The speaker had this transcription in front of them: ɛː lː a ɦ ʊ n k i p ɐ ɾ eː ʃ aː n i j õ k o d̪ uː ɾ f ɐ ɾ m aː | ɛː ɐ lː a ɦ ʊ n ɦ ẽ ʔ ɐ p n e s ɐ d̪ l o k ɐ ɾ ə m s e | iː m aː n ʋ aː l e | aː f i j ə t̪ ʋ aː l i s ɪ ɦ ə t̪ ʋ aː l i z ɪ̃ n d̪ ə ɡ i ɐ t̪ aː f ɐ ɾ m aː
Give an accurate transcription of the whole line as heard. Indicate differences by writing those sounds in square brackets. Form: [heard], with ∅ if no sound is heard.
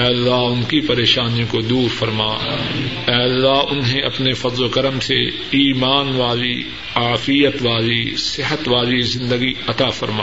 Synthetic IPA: ɛː lː a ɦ ʊ n k i p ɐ ɾ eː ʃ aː n i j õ k o d̪ uː ɾ f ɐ ɾ m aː | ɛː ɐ lː a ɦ ʊ n ɦ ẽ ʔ ɐ p n e [f] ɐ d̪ l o k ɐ ɾ ə m s e | iː m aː n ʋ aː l [i] | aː f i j ə t̪ ʋ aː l i s ɪ ɦ ə t̪ ʋ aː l i z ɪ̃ n d̪ ə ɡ i ɐ t̪ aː f ɐ ɾ m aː